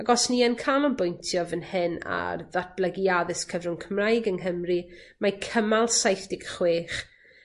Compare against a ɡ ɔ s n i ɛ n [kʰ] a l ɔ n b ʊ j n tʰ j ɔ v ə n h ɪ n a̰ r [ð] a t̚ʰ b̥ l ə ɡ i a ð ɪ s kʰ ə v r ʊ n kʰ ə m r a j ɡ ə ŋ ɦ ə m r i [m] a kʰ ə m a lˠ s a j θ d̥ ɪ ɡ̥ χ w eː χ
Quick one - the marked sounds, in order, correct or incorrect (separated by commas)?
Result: correct, correct, correct